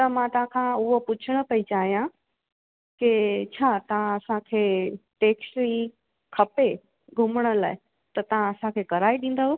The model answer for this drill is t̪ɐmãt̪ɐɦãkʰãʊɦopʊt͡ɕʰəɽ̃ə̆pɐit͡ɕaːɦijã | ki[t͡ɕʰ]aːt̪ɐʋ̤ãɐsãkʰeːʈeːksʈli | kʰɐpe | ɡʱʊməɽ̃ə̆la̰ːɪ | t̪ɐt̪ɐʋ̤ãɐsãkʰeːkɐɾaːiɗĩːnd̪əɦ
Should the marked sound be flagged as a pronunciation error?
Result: no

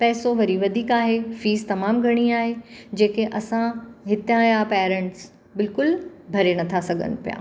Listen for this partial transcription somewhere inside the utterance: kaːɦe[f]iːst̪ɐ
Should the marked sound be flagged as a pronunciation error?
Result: no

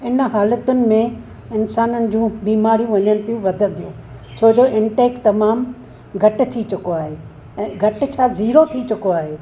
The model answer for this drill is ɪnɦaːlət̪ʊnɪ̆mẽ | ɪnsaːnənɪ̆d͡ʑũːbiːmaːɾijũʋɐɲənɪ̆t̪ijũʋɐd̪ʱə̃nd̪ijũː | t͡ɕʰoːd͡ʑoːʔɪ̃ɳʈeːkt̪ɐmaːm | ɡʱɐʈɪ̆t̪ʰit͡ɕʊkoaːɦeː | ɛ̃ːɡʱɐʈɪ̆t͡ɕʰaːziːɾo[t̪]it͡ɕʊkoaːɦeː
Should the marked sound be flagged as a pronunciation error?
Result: yes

